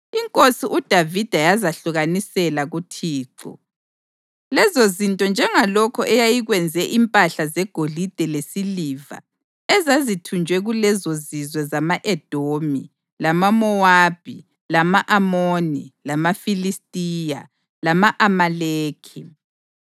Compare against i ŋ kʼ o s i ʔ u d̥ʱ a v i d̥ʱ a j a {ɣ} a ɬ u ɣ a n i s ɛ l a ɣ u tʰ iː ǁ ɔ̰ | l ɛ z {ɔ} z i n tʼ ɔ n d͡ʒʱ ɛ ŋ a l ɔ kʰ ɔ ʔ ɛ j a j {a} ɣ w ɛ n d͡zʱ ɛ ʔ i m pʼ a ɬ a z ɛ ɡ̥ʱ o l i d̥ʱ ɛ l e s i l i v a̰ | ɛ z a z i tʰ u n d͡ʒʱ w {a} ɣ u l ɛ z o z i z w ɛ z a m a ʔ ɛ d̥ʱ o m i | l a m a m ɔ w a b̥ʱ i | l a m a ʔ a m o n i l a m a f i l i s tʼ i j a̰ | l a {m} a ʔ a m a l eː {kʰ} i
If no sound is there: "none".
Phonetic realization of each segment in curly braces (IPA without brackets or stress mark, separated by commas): z, o, i, ɛ, m, kʰ